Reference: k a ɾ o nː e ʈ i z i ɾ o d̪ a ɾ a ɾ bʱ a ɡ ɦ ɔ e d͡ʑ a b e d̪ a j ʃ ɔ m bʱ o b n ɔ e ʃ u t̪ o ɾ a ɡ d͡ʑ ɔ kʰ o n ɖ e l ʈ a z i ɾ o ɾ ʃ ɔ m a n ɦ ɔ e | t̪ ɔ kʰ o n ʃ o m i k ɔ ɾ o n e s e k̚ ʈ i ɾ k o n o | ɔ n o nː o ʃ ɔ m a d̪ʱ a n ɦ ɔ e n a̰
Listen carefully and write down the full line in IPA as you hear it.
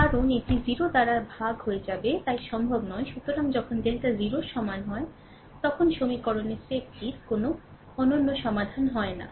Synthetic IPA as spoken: k a ɾ o n e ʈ i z i ɾ o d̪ a ɾ a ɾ bʱ a ɡ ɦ o e d͡ʑ a b e t̪ a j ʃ ɔ m bʱ o b n ɔ e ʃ u t̪ o ɾ a ŋ d͡ʑ ɔ kʰ o n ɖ e l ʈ a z i ɾ o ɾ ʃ ɔ m a n ɦ ɔ e | t̪ ɔ kʰ o n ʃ o m i k ɔ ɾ o n e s e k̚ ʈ i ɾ k o n o | ɔ n o nː o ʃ ɔ m a d̪ʱ a n ɦ ɔ e n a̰